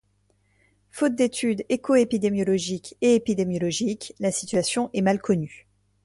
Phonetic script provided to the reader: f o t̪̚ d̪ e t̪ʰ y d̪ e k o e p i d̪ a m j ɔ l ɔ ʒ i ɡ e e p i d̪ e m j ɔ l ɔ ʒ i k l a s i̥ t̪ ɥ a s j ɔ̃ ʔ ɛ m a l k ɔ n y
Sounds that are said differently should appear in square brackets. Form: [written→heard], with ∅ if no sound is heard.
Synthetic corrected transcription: f o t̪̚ d̪ e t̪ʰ y d̪ e k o e p i d̪ [a→e] m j ɔ l ɔ ʒ i [ɡ→k] e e p i d̪ e m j ɔ l ɔ ʒ i k l a s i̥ t̪ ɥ a s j ɔ̃ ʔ ɛ m a l k ɔ n y